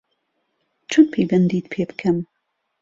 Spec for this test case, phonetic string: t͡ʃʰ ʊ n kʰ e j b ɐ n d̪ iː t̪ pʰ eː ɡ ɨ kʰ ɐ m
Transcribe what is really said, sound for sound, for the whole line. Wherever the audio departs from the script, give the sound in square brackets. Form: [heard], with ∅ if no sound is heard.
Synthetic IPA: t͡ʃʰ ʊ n [pʰ] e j b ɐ n d̪ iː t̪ pʰ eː [b] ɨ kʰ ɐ m